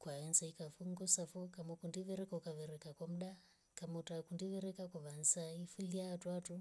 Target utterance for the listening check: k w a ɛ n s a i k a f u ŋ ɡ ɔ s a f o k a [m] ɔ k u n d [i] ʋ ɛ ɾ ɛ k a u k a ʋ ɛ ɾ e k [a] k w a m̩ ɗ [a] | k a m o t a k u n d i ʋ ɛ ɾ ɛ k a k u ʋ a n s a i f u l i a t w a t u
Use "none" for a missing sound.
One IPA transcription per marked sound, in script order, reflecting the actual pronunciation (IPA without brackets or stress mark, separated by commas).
m, i, a, a